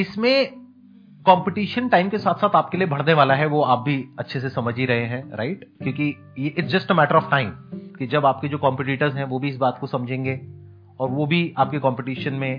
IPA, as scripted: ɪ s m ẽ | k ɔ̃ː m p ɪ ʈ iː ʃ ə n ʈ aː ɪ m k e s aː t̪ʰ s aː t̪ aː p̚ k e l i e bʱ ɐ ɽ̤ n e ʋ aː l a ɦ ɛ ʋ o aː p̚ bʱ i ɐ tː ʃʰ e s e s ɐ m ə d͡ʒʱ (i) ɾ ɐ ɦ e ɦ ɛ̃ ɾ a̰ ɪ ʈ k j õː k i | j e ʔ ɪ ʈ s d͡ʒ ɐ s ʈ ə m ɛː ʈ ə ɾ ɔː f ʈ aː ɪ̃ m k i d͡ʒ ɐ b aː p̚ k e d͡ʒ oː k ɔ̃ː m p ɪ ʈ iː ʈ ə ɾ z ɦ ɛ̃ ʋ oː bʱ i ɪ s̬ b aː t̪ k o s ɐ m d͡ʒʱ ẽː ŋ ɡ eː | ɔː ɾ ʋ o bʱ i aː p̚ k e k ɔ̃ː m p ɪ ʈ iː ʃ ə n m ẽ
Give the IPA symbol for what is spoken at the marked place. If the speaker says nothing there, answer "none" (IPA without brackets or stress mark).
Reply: i